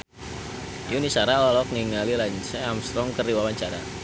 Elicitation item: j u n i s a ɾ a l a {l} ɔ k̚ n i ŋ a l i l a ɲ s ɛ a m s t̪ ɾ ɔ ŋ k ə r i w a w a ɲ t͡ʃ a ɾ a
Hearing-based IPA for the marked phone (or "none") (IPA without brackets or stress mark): l